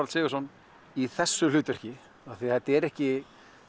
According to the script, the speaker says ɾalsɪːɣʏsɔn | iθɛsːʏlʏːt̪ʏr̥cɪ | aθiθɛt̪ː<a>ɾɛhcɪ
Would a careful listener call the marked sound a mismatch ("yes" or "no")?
yes